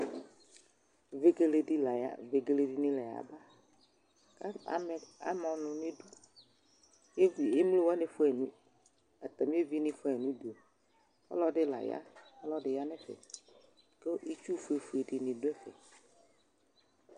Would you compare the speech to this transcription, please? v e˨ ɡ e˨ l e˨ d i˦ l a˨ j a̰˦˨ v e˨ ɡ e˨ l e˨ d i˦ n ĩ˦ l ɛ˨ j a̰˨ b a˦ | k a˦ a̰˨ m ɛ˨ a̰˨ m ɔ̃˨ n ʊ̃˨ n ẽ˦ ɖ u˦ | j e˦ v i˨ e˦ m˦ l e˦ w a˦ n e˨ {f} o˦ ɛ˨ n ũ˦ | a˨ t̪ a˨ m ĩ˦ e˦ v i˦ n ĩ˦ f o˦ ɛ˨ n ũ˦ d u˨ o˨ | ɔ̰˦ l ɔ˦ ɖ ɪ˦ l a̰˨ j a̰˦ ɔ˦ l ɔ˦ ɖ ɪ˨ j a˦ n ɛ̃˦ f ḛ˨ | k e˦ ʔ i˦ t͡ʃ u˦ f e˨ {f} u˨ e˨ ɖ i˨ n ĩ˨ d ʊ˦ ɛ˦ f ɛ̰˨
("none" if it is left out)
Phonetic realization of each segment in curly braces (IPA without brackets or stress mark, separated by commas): f, f